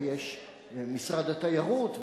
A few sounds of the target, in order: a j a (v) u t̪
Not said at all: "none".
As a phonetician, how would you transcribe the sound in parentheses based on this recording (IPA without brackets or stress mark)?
ʁ